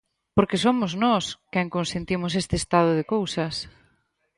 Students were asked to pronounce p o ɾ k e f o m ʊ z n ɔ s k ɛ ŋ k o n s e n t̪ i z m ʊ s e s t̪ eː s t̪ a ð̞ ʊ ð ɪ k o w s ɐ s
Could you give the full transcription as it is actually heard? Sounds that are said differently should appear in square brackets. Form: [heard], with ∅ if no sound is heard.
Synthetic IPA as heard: p o ɾ k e [s] o m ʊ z n ɔ s k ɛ ŋ k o n s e n t̪ i [∅] m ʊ s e s t̪ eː s t̪ a ð̞ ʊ ð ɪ k o w s ɐ s